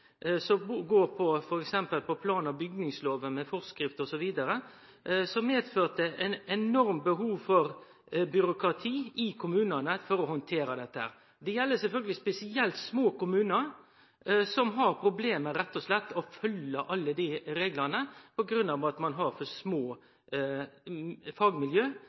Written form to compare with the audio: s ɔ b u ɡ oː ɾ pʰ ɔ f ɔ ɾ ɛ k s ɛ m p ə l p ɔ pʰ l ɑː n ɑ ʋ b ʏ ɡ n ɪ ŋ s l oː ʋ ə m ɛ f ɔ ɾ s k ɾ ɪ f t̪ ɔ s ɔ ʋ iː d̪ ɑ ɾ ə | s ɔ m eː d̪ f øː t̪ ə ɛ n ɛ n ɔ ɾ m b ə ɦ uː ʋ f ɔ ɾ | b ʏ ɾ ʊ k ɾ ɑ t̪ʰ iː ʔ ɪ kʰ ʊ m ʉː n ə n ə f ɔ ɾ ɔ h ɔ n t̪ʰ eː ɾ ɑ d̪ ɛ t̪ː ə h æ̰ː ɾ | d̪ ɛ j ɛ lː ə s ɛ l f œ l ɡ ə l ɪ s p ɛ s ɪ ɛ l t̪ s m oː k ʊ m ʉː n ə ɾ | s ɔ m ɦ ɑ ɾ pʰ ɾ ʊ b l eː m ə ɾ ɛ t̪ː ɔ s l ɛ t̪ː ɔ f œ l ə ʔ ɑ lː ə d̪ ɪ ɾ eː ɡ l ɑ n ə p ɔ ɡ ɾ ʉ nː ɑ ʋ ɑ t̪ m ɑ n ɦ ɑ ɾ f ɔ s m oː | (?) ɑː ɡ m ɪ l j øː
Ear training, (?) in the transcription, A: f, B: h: A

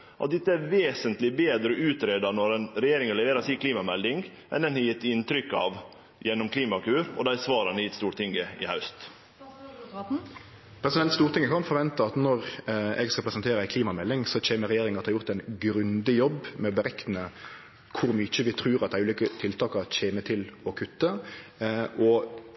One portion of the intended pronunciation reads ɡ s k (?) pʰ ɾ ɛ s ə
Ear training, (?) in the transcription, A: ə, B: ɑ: B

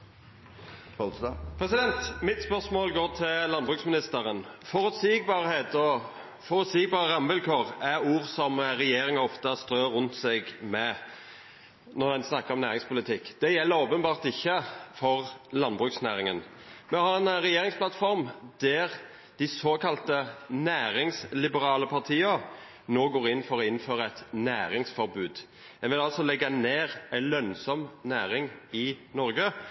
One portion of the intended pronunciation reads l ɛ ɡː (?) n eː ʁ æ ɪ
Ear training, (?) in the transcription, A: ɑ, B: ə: A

